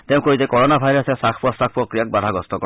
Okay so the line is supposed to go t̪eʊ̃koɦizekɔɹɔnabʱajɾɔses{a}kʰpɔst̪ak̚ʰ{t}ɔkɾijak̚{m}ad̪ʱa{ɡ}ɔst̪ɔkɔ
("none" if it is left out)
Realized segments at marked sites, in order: a, p, b, ɡ

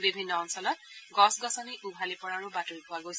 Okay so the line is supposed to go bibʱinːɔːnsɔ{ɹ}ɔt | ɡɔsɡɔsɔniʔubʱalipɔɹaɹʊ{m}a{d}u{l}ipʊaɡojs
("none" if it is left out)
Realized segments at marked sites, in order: l, b, t, ɹ

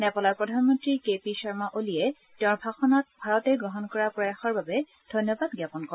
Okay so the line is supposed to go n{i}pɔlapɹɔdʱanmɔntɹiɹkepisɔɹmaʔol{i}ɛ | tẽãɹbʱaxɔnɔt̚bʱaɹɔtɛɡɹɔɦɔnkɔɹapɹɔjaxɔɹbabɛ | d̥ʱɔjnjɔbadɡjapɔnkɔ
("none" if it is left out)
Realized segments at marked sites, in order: ɛ, i

